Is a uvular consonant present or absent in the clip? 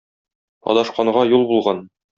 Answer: present